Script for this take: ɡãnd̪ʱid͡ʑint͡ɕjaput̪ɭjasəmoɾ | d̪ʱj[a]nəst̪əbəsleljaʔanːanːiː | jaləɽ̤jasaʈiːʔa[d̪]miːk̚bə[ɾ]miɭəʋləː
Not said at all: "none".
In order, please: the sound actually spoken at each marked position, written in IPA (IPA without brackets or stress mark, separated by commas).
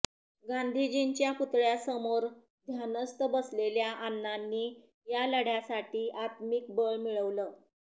a, t̪, ɭ